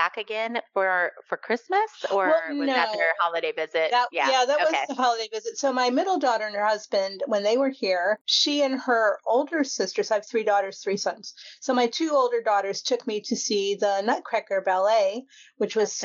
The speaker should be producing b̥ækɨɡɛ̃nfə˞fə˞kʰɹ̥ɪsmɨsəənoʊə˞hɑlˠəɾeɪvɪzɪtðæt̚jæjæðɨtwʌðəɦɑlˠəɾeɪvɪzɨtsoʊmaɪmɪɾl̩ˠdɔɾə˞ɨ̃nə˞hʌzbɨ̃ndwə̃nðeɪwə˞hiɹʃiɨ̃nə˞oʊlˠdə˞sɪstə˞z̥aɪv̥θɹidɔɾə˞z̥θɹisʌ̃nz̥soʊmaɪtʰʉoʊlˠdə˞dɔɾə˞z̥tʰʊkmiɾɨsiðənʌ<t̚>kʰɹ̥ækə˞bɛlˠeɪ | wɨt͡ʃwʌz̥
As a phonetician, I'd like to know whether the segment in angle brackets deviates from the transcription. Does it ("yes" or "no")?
no